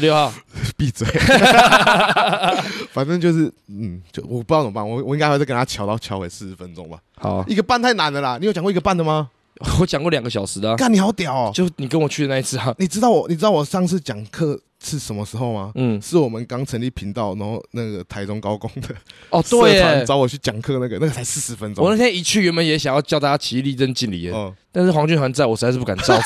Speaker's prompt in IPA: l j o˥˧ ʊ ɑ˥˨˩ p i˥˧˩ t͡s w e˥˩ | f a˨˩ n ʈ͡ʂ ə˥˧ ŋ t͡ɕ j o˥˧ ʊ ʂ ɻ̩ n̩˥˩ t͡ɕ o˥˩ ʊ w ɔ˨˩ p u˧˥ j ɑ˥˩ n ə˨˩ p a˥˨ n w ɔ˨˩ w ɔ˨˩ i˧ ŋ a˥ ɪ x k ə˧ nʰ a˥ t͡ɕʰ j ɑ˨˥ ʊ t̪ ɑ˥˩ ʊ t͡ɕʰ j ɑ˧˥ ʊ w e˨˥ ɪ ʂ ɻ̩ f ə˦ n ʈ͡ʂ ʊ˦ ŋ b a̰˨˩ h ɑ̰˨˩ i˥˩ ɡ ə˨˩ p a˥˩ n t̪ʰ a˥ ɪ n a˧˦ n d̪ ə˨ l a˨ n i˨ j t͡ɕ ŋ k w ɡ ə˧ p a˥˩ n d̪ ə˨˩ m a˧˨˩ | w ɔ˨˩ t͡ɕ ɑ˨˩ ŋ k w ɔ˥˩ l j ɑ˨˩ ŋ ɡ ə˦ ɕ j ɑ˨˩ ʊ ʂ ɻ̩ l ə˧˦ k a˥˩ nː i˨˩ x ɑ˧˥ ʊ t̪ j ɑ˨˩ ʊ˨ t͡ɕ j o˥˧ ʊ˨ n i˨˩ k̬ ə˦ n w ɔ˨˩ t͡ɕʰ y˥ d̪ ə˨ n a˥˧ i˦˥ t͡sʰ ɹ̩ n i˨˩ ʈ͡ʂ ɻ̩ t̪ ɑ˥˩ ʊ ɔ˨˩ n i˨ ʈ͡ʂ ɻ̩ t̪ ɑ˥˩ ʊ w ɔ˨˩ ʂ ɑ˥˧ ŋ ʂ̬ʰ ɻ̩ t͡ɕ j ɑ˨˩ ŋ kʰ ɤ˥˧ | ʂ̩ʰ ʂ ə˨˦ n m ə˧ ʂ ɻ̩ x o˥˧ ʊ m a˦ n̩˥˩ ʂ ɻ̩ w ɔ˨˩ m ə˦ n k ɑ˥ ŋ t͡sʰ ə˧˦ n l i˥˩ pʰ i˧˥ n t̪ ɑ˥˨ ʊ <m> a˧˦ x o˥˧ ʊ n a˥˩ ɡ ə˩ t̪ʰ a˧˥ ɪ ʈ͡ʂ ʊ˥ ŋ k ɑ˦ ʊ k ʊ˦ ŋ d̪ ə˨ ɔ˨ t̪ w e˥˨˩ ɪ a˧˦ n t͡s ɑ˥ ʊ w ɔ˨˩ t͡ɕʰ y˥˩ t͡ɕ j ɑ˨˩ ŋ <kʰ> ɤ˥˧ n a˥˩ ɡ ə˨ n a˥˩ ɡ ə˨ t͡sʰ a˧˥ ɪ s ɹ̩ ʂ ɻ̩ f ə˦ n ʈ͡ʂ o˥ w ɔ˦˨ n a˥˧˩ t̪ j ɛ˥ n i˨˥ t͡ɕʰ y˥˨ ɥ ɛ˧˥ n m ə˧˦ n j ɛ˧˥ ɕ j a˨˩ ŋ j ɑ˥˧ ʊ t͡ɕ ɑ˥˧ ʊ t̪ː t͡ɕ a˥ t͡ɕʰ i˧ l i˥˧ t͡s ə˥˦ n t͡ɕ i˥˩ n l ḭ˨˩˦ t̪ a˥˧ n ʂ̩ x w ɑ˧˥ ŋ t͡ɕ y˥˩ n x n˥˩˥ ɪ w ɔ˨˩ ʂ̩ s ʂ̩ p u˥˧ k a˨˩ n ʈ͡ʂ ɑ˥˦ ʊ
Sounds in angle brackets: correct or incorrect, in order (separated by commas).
incorrect, correct